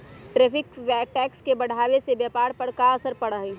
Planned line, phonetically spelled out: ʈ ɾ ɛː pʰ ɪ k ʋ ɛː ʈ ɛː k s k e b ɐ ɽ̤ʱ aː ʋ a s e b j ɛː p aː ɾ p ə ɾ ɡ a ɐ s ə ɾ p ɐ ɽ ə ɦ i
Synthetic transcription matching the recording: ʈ ɾ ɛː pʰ ɪ k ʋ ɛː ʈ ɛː k s k e b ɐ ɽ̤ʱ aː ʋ e s e b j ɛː p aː ɾ p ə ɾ k a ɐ s ə ɾ p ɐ ɽ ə ɦ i